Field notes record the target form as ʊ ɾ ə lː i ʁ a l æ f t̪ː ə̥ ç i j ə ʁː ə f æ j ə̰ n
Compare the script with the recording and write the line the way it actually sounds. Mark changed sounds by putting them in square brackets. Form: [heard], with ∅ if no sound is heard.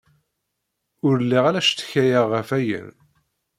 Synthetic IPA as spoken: ʊ ɾ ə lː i ʁ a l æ [ʃ] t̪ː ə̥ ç [æ] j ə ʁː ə f æ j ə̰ n